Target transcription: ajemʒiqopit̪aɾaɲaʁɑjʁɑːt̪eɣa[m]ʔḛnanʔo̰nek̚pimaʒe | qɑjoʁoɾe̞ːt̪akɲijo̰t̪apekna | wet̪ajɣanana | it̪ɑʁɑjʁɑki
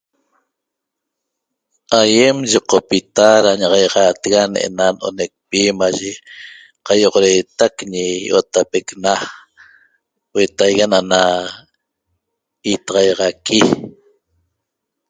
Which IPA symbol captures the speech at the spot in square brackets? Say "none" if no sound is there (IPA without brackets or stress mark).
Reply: n